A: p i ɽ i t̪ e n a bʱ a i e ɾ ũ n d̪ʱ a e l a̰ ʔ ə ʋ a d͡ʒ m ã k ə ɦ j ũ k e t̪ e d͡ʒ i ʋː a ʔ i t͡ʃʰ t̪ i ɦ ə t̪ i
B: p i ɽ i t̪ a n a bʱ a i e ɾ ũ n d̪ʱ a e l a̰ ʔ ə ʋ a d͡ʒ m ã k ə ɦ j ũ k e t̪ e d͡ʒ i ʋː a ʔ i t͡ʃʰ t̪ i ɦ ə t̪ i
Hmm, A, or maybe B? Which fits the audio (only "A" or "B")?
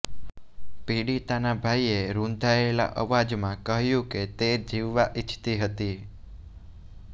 B